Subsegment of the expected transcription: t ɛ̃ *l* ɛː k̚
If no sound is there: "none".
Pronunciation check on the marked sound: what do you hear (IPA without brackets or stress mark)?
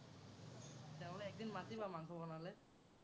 l